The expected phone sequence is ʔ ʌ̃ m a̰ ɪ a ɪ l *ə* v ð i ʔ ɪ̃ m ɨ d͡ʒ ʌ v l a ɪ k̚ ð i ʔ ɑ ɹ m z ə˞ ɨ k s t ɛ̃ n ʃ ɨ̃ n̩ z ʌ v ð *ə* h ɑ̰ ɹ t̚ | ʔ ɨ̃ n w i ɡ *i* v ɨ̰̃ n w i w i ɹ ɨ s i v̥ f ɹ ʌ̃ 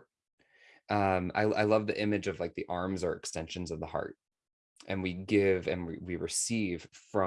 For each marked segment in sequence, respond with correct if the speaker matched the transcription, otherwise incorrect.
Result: incorrect, correct, incorrect

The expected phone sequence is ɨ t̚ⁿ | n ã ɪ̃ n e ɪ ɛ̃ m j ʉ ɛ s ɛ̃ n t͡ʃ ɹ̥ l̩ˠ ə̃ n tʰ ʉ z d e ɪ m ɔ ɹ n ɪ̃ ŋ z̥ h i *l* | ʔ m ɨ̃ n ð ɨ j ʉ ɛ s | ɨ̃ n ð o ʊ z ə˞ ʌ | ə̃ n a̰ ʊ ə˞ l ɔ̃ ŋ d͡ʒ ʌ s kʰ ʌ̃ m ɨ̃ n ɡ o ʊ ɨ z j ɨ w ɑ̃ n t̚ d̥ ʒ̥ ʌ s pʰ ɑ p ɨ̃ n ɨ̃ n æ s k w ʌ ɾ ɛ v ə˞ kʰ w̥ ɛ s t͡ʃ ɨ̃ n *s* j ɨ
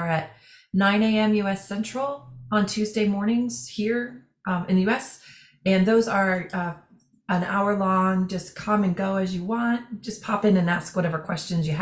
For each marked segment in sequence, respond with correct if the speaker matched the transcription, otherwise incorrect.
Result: incorrect, incorrect

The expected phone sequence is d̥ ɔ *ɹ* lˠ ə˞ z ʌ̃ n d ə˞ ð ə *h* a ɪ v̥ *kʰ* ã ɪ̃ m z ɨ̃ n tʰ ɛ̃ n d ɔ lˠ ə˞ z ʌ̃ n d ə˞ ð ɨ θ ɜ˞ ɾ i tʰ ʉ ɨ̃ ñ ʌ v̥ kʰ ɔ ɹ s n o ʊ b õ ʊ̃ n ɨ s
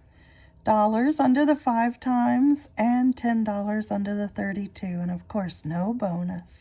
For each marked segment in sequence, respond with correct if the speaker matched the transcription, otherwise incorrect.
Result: incorrect, incorrect, incorrect

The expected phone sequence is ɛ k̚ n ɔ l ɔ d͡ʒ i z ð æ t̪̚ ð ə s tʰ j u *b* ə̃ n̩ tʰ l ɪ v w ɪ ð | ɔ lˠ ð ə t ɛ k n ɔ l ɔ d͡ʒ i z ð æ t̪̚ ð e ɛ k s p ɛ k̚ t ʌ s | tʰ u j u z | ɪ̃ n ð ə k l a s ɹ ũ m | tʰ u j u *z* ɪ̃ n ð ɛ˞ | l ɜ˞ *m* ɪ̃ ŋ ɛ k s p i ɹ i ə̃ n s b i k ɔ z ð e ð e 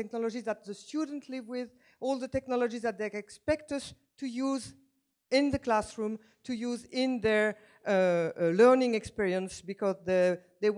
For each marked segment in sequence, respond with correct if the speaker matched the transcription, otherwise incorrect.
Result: incorrect, correct, incorrect

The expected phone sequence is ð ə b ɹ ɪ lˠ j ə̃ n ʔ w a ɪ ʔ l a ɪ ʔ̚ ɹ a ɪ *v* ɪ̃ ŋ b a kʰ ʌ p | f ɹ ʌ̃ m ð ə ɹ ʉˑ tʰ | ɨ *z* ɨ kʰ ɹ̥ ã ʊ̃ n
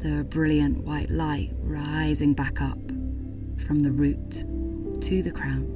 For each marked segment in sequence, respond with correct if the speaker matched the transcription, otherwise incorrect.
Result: incorrect, incorrect

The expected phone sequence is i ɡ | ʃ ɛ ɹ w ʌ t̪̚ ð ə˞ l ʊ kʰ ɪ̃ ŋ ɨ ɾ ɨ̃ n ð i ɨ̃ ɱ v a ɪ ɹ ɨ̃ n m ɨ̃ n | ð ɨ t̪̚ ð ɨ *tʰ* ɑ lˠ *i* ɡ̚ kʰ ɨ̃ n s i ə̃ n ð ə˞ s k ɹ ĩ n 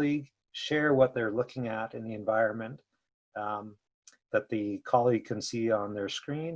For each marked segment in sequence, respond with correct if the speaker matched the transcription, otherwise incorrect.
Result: incorrect, correct

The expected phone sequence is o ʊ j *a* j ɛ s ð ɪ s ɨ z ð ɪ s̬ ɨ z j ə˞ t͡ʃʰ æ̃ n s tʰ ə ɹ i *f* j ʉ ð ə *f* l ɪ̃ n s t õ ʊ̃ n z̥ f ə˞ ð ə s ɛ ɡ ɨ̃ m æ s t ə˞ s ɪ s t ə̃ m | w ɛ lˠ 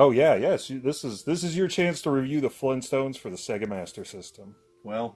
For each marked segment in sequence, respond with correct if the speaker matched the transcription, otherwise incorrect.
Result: incorrect, incorrect, correct

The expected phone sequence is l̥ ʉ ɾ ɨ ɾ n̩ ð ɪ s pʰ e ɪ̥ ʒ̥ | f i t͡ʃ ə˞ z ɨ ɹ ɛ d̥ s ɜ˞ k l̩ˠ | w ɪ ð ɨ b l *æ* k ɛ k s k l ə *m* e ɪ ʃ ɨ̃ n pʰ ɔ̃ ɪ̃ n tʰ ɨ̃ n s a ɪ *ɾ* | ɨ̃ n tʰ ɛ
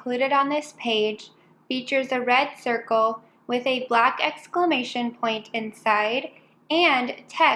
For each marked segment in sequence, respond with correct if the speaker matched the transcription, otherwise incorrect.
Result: correct, correct, correct

